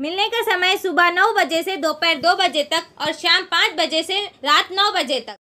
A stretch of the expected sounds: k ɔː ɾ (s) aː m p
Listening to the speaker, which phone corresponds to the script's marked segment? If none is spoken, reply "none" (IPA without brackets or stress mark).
ʃ